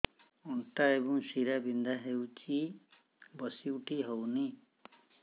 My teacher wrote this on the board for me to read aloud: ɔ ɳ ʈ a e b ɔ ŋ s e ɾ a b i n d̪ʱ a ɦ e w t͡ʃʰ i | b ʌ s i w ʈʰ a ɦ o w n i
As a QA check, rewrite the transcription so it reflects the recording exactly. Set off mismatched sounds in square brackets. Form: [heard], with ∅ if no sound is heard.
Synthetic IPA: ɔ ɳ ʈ a e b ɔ ŋ s [i] ɾ a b i n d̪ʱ a ɦ e w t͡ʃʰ i | b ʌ s i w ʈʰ [i] ɦ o w n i

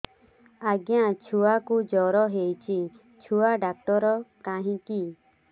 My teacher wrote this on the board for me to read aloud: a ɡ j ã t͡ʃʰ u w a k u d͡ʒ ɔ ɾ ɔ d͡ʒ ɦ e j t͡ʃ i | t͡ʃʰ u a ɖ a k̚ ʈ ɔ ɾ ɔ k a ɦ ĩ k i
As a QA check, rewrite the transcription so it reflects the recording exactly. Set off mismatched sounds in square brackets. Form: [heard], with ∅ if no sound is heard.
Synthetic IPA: a ɡ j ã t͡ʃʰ u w a k u d͡ʒ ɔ ɾ ɔ [∅] ɦ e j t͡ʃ i | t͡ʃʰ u a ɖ a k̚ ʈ ɔ ɾ ɔ k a ɦ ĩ k i

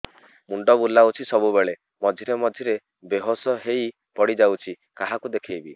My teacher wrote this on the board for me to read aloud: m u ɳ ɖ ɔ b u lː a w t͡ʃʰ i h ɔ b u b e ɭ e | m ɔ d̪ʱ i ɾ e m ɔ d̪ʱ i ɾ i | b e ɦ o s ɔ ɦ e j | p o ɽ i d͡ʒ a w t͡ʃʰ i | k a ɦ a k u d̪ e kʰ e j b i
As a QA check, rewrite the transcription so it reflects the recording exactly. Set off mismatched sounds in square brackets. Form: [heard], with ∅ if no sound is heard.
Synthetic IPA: m u ɳ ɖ ɔ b u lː a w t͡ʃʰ i [s] ɔ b u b e ɭ e | m ɔ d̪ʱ i ɾ e m ɔ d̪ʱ i ɾ [e] | b e ɦ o s ɔ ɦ e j | p [ɔ] ɽ i d͡ʒ a w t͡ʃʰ i | k a ɦ a k u d̪ e kʰ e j b i

